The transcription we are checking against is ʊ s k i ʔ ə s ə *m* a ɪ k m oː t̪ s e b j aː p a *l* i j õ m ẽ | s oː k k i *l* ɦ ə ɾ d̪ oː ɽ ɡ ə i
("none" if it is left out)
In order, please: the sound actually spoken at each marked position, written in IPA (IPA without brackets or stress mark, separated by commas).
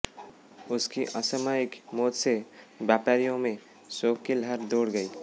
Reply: m, ɾ, l